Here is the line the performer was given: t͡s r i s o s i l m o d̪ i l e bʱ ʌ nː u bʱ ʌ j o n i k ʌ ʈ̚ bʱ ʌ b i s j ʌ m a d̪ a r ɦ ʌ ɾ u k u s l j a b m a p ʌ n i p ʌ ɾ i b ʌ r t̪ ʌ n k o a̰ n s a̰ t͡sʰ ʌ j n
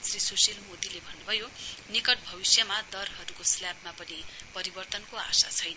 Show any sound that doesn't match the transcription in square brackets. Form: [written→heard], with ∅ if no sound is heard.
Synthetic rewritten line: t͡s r i s o s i l m o d̪ i l e bʱ ʌ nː u bʱ ʌ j o n i k ʌ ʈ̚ bʱ ʌ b i s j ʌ m a d̪ [a→ʌ] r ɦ ʌ ɾ u k [u→o] s l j a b m a p ʌ n i p ʌ ɾ i b ʌ r t̪ ʌ n k o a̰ [n→∅] s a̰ t͡sʰ ʌ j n